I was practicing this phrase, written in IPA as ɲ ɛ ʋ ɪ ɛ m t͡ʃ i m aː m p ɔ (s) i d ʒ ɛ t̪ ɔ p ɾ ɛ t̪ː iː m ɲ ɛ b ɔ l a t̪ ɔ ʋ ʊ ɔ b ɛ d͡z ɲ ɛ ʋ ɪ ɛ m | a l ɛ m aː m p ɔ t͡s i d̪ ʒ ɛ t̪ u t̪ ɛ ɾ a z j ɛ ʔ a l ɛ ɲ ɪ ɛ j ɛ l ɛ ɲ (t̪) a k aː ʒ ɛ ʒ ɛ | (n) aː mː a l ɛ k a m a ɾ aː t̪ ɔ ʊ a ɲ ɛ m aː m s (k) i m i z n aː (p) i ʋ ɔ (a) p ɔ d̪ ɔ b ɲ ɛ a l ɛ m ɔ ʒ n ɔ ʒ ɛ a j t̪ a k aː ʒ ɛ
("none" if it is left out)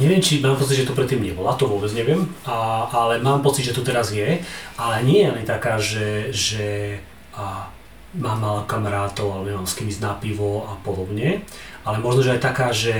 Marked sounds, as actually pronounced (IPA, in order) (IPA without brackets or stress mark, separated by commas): t͡s, t̪, m, k, p, a